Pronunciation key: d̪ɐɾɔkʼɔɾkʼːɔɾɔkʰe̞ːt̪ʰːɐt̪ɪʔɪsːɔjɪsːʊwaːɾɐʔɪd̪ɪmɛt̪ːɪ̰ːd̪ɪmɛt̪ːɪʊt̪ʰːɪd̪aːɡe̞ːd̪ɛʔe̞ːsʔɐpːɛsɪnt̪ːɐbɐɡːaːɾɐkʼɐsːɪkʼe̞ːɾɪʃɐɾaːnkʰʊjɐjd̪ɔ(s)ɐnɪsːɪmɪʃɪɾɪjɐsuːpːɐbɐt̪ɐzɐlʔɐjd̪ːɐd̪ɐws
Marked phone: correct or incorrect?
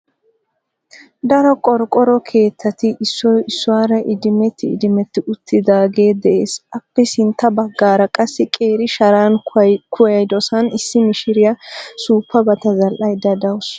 correct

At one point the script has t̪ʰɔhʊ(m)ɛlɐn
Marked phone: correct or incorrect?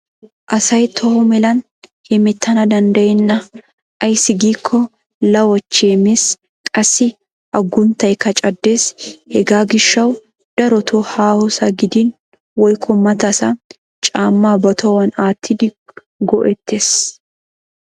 correct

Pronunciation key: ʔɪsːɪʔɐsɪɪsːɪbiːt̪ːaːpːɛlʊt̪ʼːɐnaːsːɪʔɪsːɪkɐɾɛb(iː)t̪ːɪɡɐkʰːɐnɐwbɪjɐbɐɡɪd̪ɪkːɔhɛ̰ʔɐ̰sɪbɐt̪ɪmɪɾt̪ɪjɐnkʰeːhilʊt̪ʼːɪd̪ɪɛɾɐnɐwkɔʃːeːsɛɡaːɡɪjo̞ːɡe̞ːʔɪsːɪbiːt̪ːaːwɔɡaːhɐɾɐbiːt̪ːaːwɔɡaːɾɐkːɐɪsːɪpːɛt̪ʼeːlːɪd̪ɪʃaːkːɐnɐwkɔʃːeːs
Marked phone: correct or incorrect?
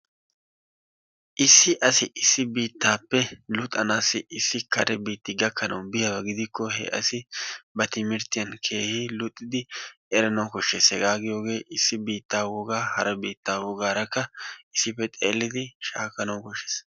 correct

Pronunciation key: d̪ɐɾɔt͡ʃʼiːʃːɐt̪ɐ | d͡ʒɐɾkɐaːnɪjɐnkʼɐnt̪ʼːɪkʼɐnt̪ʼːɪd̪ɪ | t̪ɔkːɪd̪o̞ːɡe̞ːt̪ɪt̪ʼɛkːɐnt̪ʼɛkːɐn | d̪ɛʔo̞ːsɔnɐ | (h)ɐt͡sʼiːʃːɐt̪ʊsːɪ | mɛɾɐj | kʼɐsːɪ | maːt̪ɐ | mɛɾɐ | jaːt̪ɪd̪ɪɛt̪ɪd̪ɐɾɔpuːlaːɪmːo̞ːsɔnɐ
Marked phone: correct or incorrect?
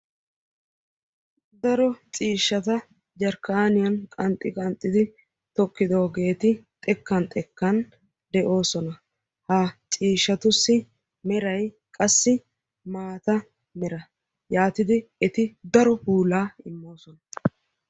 correct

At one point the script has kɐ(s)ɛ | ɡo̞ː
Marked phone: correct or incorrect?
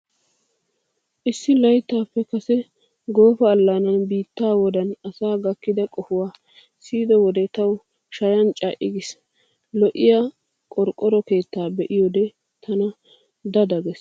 correct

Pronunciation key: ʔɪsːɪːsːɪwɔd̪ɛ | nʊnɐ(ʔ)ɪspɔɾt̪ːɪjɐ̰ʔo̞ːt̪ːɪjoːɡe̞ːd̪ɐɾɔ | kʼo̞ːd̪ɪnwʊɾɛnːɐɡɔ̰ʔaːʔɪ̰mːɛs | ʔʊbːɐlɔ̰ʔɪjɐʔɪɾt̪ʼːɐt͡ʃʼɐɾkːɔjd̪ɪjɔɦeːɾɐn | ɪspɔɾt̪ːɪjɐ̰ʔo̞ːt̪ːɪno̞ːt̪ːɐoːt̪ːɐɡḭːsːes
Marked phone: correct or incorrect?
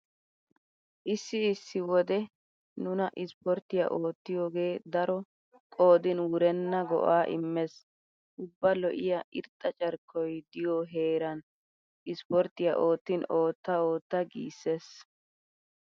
correct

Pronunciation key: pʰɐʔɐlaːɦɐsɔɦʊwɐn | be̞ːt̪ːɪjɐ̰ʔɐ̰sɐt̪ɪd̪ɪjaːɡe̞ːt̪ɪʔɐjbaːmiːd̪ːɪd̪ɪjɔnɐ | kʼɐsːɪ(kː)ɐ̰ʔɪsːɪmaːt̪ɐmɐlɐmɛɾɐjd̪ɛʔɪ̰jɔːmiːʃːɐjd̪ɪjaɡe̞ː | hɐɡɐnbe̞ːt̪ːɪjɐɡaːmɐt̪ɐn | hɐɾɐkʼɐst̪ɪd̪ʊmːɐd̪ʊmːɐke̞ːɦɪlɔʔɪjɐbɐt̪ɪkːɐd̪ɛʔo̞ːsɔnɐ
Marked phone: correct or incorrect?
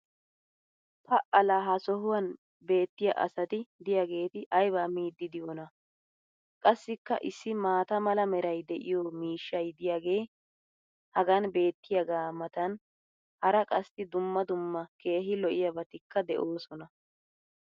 correct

